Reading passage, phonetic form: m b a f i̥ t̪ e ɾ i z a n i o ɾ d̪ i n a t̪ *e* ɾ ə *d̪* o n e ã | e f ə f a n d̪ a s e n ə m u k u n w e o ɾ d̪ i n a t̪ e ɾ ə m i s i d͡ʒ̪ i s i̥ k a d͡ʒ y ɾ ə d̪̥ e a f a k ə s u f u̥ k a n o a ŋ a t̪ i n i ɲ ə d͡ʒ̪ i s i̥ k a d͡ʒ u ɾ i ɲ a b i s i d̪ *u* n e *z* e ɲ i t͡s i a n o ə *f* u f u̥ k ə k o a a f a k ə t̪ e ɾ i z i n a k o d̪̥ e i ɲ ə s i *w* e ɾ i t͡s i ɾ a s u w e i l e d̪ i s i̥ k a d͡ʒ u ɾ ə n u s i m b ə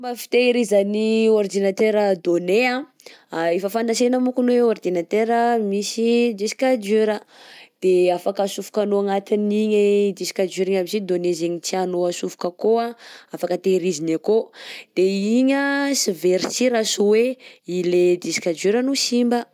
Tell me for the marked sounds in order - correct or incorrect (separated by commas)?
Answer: correct, correct, incorrect, correct, incorrect, incorrect